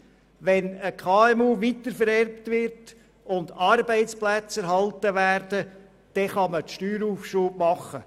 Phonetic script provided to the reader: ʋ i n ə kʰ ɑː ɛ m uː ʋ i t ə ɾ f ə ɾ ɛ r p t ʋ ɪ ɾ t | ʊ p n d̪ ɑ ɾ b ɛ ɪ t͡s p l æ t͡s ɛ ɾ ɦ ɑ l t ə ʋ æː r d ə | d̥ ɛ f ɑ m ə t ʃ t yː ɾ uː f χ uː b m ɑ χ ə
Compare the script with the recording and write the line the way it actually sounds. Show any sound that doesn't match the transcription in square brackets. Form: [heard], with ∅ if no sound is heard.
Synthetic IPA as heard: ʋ [ɛ] n ə kʰ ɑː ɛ m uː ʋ i t ə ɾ f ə ɾ ɛ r p t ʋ ɪ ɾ t | ʊ [∅] n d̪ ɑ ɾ b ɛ ɪ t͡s p l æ t͡s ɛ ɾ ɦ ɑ l t ə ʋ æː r d ə | d̥ ɛ [χ] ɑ m ə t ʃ t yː ɾ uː f [ʃ] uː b m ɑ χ ə

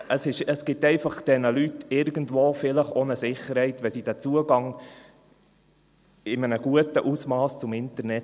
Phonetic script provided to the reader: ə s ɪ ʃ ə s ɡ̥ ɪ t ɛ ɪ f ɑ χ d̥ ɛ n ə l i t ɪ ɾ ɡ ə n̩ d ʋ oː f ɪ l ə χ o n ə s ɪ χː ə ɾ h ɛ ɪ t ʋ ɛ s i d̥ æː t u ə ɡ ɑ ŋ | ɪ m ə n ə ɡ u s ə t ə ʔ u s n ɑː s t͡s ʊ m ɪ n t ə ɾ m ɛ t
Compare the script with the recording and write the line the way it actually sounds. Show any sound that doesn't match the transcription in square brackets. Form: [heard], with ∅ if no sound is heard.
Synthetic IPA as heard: ə s ɪ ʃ ə s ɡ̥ ɪ t ɛ ɪ f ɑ χ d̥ ɛ n ə l [y] t ɪ ɾ ɡ ə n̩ d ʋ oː f ɪ l ə χ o n ə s ɪ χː ə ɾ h ɛ ɪ t ʋ ɛ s i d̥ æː [t͡s] u ə ɡ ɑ ŋ | ɪ m ə n ə ɡ u [∅] ə t ə ʔ u s [m] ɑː s t͡s ʊ m ɪ n t ə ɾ [n] ɛ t

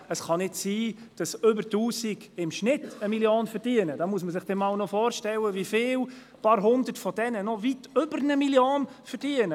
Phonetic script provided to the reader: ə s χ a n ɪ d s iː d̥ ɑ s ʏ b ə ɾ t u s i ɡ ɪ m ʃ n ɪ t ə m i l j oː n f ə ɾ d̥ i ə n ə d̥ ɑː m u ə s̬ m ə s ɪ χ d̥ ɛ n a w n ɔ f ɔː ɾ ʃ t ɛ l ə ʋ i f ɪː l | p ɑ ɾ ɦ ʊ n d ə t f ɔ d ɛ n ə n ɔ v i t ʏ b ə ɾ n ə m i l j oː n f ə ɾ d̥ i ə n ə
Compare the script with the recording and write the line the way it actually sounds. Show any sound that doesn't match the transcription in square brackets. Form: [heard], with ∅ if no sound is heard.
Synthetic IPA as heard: ə s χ [ɑ] n ɪ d s iː d̥ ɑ s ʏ b ə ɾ t [uː] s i ɡ ɪ m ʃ n ɪ t ə m i l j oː n f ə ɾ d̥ i ə n ə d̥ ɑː m u ə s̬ m ə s ɪ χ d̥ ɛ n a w n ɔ f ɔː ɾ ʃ t ɛ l ə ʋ i f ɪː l | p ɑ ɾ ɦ ʊ n d ə t f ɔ d ɛ n ə n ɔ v i t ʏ b ə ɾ n ə m i l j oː n f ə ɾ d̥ i ə n ə

